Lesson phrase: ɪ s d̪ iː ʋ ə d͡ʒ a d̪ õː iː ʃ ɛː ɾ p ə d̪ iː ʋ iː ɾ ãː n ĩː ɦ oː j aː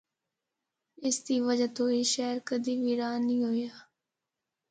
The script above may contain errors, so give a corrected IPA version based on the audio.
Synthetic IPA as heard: ɪ s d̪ iː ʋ ə d͡ʒ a t̪ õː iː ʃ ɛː ɾ k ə d̪ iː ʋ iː ɾ aː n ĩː ɦ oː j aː